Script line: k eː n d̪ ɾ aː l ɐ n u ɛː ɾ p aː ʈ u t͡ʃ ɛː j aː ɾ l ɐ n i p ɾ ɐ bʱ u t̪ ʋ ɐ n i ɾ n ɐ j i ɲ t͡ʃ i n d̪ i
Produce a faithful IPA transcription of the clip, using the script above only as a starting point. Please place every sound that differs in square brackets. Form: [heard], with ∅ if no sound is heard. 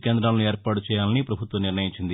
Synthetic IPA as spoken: k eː n d̪ ɾ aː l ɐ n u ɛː ɾ p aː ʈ u t͡ʃ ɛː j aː [∅] l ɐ n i p ɾ ɐ bʱ u t̪ ʋ ɐ n i ɾ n ɐ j i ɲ t͡ʃ i n d̪ i